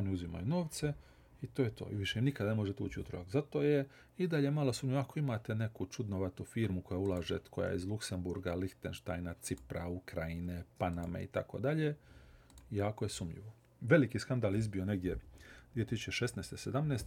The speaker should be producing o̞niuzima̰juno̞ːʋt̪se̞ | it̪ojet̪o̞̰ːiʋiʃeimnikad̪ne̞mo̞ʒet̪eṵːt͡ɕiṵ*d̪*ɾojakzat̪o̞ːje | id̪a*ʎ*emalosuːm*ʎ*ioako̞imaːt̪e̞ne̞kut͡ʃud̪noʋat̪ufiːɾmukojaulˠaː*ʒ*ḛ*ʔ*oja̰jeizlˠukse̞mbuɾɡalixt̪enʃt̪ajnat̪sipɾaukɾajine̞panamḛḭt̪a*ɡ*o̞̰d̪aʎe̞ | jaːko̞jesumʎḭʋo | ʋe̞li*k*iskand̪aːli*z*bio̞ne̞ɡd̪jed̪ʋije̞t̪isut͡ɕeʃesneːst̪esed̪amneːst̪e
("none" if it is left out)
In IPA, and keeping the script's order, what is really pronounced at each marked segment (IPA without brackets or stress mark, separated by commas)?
t̪, ʎ, ʎ, ʒ, k, k, k, z